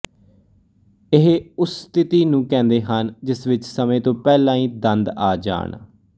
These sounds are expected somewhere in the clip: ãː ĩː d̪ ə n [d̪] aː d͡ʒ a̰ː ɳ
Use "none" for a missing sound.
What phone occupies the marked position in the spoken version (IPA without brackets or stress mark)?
d̪